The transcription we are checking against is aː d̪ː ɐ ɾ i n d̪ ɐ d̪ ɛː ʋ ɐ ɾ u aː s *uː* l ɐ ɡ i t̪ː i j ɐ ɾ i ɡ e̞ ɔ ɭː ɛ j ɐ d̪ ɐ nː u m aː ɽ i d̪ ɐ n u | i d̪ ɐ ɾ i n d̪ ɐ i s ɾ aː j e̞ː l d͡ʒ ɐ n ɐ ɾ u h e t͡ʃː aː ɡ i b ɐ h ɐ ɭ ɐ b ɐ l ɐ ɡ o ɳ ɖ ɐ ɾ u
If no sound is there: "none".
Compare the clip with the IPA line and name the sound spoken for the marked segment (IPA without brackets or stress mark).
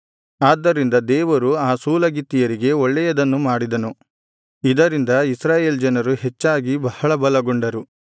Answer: uː